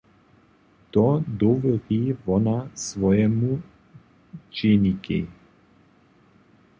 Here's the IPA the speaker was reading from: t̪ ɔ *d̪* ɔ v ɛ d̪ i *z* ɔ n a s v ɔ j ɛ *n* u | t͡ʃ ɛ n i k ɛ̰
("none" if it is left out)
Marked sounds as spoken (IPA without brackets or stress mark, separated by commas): d̪, v, m